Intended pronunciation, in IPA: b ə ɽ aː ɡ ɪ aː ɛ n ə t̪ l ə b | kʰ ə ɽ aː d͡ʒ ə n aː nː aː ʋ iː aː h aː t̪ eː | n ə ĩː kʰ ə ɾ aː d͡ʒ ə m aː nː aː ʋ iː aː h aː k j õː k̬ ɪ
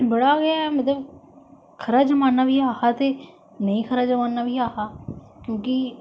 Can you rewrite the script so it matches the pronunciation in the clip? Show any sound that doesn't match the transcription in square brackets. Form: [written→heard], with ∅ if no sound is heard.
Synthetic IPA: b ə ɽ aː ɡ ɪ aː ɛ [n→m] ə t̪ l ə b | kʰ ə [ɽ→ɾ] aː d͡ʒ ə [n→m] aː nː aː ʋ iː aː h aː t̪ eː | n ə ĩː kʰ ə ɾ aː d͡ʒ ə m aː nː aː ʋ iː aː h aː k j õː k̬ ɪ